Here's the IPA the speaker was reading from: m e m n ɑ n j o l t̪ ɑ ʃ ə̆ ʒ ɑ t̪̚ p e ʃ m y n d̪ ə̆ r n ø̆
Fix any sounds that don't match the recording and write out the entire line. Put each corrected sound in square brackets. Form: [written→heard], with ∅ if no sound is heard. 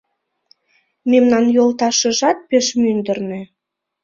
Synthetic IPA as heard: m e m n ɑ n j o l t̪ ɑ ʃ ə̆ ʒ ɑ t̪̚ p e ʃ m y n d̪ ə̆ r n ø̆